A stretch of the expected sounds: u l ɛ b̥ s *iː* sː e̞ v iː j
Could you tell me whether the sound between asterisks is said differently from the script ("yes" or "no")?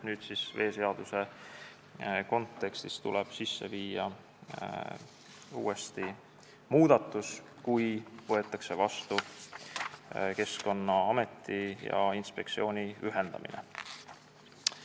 yes